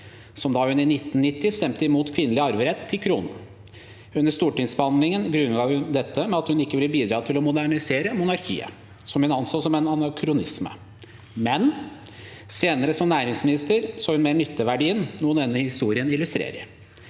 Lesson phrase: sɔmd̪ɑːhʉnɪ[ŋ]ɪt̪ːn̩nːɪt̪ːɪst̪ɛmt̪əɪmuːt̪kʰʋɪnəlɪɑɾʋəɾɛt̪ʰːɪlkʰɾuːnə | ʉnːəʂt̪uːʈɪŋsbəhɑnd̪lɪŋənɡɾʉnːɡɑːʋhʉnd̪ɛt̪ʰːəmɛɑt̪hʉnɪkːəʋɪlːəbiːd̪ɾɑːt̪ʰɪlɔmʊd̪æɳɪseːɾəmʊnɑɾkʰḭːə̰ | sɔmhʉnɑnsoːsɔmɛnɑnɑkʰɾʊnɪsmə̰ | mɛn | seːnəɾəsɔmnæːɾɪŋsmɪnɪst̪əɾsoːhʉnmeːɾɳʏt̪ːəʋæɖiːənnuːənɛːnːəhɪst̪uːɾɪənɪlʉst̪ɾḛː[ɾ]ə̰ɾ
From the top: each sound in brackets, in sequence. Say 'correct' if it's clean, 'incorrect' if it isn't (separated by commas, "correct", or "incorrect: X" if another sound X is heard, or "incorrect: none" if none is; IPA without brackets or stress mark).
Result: incorrect: n, correct